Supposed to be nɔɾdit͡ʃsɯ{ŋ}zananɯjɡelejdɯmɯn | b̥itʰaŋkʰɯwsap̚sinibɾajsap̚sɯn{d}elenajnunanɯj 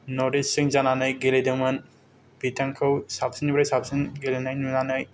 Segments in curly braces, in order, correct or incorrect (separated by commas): correct, incorrect